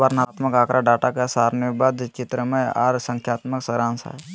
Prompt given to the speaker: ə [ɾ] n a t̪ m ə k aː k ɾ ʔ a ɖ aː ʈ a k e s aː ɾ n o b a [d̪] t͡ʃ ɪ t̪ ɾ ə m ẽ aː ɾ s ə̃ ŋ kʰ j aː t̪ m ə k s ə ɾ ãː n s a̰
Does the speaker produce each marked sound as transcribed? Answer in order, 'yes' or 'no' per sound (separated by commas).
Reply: yes, yes